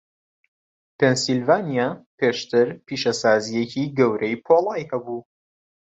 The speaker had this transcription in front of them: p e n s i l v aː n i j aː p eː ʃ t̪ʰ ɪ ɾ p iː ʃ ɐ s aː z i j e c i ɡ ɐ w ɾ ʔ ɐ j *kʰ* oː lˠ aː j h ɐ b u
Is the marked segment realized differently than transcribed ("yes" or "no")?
yes